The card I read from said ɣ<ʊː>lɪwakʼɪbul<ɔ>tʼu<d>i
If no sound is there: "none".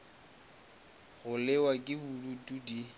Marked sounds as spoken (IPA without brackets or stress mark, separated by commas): ʊ, u, d